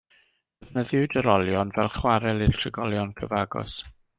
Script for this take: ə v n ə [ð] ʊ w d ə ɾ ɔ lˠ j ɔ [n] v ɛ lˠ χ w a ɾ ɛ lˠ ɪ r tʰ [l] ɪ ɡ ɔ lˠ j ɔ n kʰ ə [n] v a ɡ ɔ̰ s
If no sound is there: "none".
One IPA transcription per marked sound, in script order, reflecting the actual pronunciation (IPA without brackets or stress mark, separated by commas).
ð, n, r, none